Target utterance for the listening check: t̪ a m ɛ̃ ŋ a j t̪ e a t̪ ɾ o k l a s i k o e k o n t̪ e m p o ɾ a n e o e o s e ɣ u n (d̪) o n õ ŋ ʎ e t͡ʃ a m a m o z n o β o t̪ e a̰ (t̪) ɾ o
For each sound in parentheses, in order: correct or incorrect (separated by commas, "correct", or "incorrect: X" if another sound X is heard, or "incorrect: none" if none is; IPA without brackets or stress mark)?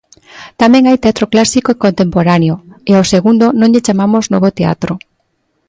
correct, correct